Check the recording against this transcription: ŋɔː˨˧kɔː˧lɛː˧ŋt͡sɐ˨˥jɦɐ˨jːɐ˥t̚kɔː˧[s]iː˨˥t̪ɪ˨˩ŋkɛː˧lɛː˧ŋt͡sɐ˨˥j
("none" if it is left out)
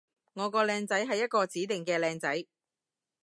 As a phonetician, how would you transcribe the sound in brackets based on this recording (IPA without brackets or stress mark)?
t͡s